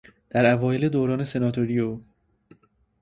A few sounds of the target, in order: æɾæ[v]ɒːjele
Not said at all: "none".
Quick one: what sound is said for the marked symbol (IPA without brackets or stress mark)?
v